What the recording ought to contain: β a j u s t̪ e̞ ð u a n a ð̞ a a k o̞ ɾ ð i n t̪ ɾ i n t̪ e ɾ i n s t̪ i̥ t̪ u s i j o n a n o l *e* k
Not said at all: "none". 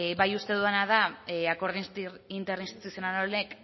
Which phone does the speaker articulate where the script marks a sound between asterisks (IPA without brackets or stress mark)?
e